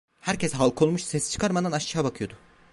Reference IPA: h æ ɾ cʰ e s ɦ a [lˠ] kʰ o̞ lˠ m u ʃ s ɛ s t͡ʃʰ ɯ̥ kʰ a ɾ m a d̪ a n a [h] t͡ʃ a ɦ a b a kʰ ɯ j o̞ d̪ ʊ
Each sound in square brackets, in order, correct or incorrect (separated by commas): correct, incorrect